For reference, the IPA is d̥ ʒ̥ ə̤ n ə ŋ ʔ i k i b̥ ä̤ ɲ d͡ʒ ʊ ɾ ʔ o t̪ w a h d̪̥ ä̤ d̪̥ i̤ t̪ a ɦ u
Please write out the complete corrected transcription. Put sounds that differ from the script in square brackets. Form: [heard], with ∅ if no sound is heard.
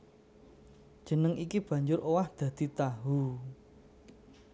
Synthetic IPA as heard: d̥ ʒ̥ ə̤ n ə ŋ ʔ i k i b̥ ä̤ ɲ d͡ʒ ʊ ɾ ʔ o [∅] w a h d̪̥ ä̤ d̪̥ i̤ t̪ a ɦ u